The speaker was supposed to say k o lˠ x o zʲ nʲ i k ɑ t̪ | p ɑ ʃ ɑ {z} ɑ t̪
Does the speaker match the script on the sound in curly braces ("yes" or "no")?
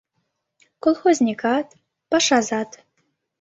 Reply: yes